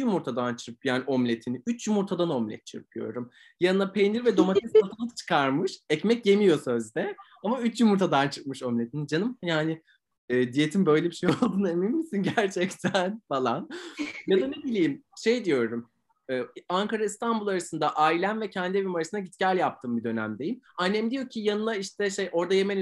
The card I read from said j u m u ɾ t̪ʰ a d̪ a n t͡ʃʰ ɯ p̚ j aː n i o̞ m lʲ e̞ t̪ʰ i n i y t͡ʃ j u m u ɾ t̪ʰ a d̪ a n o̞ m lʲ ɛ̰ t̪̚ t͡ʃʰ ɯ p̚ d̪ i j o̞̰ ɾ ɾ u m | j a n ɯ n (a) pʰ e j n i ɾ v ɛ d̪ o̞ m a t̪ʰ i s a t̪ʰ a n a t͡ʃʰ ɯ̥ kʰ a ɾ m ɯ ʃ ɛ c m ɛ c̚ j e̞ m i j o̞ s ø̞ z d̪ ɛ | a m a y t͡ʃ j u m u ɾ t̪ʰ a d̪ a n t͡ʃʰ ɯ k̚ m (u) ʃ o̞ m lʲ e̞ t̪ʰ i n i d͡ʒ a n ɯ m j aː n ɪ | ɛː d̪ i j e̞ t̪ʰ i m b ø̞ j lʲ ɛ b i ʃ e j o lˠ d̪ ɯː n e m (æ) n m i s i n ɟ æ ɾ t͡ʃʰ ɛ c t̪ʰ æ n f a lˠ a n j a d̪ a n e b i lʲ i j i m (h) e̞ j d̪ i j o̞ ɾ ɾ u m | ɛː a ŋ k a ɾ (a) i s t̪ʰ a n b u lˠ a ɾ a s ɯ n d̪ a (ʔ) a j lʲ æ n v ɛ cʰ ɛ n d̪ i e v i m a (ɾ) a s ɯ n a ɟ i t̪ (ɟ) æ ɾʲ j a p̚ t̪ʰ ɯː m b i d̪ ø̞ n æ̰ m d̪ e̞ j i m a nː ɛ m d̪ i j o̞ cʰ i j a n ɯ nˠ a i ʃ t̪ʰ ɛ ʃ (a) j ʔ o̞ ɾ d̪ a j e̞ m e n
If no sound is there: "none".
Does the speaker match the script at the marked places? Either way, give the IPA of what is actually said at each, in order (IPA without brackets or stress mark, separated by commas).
a, ɯ, i, ʃ, a, ʔ, ɾ, c, e